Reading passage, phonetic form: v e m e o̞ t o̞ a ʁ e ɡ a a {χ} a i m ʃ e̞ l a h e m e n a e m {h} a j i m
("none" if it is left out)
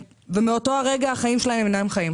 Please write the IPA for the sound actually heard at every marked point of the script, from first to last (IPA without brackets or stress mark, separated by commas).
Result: χ, χ